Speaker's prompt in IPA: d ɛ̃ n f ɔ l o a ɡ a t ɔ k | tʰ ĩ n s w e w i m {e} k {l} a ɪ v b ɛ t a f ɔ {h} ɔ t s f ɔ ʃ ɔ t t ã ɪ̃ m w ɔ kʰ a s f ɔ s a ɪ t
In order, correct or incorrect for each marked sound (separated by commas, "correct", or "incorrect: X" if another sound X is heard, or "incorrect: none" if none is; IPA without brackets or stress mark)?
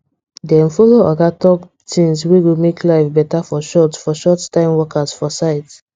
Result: correct, correct, incorrect: ʃ